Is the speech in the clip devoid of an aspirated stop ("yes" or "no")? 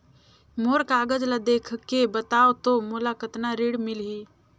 no